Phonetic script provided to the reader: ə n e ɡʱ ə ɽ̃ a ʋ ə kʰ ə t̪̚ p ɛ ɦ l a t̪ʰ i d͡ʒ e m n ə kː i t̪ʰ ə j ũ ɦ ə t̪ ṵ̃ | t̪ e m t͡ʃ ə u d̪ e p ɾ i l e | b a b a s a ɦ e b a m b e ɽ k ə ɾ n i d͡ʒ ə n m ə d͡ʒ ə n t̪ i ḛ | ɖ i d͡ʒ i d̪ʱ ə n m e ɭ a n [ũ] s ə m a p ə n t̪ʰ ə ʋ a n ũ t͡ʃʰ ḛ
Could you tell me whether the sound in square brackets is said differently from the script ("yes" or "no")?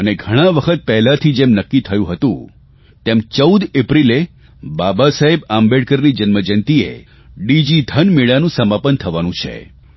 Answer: no